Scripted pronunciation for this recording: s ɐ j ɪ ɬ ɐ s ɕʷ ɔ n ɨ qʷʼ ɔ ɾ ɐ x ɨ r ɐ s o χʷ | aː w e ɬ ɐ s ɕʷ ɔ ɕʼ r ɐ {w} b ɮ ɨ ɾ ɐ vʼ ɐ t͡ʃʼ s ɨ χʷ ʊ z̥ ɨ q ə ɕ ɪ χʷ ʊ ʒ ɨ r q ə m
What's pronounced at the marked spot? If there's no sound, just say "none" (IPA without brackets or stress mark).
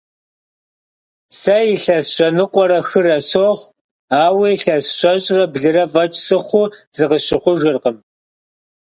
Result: none